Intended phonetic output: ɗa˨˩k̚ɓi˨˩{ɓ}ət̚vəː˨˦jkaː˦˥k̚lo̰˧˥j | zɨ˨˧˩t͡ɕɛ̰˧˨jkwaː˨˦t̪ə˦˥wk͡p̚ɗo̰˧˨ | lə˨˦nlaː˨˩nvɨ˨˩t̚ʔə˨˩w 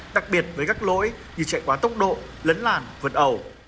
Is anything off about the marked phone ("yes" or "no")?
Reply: yes